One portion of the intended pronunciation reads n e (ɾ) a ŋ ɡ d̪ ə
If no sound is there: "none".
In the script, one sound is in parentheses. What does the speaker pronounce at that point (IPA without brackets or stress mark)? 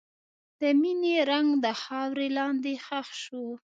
ɾ